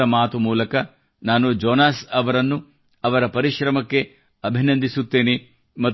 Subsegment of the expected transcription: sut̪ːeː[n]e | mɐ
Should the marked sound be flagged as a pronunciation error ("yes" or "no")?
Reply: no